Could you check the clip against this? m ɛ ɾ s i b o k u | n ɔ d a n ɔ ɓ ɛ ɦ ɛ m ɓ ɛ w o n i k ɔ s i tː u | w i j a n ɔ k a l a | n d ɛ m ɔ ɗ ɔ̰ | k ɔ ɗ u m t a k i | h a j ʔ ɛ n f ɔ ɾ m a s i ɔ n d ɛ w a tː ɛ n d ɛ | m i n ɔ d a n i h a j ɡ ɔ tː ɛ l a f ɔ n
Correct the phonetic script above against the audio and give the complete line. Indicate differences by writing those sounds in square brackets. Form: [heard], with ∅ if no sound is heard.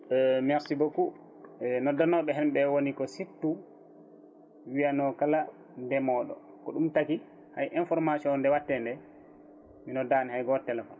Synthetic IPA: m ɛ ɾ s i b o k u | n ɔ d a n ɔ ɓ ɛ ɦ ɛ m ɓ ɛ w o n i k ɔ s i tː u | w i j a n ɔ k a l a | n d ɛ m ɔ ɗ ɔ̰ | k ɔ ɗ u m t a k i | h a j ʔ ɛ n f ɔ ɾ m a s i ɔ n d ɛ w a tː ɛ n d ɛ | m i n ɔ d a n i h a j ɡ ɔ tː ɛ l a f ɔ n